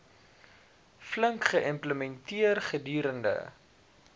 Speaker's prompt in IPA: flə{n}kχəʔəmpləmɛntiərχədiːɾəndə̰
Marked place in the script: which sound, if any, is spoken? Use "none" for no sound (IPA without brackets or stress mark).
ŋ